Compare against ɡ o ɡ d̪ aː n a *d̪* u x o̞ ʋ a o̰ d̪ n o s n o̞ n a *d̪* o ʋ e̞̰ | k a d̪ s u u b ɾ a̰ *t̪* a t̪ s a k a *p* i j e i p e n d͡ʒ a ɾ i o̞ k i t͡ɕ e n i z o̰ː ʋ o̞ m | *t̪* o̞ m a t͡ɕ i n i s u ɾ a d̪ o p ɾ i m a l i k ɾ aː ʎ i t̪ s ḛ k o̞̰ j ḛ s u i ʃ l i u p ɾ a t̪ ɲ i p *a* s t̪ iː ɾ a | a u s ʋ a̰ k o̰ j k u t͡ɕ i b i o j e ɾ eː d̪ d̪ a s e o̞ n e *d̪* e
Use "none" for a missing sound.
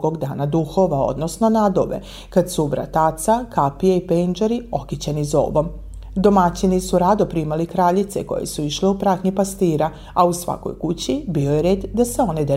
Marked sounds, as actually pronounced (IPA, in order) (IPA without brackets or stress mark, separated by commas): d̪, d̪, t̪, p, d̪, a, d̪